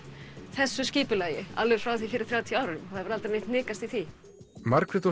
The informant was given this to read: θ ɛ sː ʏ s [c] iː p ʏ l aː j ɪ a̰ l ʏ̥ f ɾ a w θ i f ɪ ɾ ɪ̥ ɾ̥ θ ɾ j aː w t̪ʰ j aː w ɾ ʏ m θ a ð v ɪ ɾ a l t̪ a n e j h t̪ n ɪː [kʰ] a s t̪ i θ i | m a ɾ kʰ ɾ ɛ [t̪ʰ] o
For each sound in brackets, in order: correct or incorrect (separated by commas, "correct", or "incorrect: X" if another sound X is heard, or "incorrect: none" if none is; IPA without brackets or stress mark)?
correct, incorrect: k, incorrect: t̪